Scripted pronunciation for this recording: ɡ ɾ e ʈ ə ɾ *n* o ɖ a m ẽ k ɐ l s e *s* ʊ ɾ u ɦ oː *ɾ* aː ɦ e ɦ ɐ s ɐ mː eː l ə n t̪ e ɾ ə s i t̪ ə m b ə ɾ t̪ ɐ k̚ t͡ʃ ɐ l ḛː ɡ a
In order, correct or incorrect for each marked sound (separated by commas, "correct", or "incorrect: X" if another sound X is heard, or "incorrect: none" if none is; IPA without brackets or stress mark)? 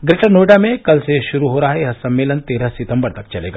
correct, incorrect: ʃ, correct